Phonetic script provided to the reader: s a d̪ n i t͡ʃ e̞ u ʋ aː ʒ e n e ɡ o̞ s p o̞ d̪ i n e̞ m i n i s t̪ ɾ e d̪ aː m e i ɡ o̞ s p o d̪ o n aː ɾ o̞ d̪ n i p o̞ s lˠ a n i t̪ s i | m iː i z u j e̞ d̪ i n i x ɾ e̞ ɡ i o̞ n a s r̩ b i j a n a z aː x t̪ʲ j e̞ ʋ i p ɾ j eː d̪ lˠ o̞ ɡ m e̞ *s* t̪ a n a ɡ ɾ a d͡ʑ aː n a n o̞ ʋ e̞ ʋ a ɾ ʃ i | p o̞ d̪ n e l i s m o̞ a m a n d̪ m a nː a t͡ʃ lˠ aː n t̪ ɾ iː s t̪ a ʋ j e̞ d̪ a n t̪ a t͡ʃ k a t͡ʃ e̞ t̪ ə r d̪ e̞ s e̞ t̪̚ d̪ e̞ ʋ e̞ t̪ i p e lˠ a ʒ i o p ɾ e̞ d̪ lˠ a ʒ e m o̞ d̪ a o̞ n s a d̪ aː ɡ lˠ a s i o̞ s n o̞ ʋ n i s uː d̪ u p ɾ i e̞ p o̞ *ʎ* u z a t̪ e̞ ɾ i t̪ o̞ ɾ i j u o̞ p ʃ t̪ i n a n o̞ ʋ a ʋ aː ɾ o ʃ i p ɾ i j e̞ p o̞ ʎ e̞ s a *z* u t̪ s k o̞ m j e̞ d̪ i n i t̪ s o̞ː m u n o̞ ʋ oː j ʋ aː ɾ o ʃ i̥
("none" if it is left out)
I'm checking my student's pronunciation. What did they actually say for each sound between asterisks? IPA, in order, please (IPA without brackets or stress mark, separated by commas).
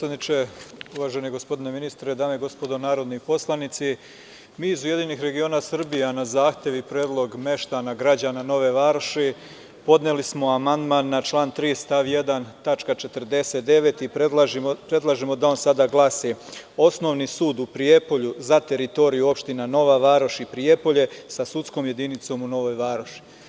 ʃ, ʎ, s